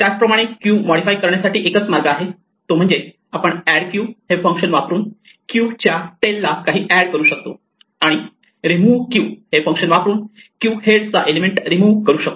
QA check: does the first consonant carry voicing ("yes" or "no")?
no